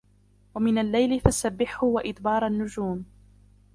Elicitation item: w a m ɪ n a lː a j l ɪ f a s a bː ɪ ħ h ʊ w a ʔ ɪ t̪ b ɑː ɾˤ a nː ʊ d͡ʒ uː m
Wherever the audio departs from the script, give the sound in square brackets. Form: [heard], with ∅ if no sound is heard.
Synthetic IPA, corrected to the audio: w a m ɪ n a lː a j l ɪ f a s a bː ɪ ħ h ʊ w a ʔ ɪ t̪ b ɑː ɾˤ a nː ʊ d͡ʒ uː m